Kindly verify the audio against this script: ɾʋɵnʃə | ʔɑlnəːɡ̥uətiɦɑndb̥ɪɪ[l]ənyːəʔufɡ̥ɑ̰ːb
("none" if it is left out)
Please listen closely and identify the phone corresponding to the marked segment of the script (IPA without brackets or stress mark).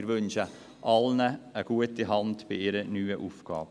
ɾ